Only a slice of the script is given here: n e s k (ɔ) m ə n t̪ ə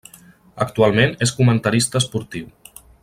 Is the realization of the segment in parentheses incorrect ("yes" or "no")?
yes